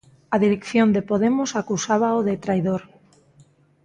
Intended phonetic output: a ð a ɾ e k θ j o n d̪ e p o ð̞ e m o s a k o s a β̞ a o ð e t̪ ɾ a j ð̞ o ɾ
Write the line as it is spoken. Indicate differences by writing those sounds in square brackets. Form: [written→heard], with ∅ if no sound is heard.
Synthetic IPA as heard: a ð [a→i] ɾ e k θ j o n d̪ e p o ð̞ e m o s a k [o→u] s a β̞ a o ð e t̪ ɾ a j ð̞ o ɾ